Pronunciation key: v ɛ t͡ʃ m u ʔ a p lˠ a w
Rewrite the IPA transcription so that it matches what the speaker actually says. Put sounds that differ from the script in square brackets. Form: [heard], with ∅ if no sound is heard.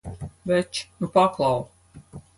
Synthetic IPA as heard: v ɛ t͡ʃ [n] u [p] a [k] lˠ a w